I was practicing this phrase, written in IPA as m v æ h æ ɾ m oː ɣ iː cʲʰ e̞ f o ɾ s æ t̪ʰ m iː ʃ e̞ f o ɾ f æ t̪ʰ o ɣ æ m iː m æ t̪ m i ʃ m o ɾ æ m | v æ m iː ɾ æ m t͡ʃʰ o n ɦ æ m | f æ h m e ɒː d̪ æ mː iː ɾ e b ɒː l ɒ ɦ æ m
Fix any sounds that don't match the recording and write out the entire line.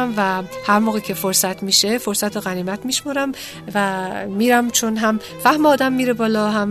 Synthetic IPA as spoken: m v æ h æ ɾ m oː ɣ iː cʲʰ e̞ f o ɾ s æ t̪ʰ m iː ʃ e̞ f o ɾ s æ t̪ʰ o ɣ æ n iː m æ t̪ m i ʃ m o ɾ æ m | v æ m iː ɾ æ m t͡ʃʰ o n ɦ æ m | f æ h m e ɒː d̪ æ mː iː ɾ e b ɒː l ɒ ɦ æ m